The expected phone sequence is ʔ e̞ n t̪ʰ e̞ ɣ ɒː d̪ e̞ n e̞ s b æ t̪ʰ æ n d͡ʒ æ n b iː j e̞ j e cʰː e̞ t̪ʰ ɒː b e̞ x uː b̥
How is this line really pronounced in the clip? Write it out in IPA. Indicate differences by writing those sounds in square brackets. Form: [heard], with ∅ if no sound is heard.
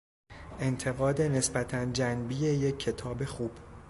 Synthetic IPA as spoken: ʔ e̞ n t̪ʰ e̞ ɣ ɒː d̪ e̞ n e̞ s b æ t̪ʰ æ n d͡ʒ æ n b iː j e̞ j e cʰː e̞ t̪ʰ ɒː b e̞ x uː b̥